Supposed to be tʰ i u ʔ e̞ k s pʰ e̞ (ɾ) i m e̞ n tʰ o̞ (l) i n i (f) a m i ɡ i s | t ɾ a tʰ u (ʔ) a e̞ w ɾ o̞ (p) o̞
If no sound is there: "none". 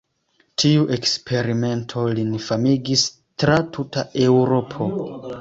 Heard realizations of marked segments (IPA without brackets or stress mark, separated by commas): ɾ, l, f, t, pʰ